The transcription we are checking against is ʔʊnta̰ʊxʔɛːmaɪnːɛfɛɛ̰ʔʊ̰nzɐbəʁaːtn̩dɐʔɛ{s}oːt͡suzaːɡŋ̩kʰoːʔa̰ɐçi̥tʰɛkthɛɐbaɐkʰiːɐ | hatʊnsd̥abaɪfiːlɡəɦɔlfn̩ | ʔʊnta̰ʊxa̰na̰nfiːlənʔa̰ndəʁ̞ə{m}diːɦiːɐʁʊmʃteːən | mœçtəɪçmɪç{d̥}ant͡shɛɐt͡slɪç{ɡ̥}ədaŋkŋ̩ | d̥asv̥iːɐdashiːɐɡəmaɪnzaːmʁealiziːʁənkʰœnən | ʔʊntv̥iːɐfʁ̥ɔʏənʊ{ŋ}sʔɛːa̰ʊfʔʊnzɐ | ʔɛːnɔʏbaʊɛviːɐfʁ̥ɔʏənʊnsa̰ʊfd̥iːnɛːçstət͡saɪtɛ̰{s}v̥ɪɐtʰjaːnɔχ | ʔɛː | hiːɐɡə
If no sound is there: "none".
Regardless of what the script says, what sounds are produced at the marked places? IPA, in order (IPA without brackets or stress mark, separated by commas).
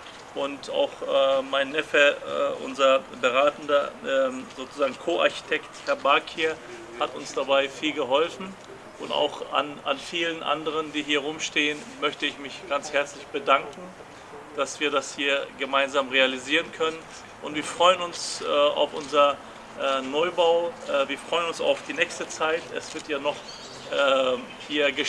z, n, ɡ̥, b̥, n, s